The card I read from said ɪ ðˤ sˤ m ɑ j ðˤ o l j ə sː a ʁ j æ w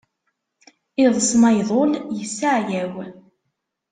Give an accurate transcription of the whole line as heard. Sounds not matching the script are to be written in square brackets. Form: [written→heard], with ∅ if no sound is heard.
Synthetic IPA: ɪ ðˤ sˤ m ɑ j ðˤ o l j ə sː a [ʁ→ʕ] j æ w